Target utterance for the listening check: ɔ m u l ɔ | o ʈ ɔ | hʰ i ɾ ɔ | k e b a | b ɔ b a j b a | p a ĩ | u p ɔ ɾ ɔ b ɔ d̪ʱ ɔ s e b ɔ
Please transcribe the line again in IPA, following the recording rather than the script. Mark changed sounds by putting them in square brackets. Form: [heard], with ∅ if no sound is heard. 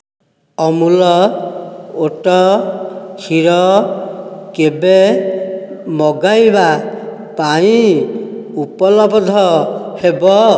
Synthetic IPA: ɔ m u l ɔ | o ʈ ɔ | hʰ i ɾ ɔ | k e b [e] | [m] ɔ [ɡ] a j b a | p a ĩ | u p ɔ [l] ɔ b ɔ d̪ʱ ɔ [h] e b ɔ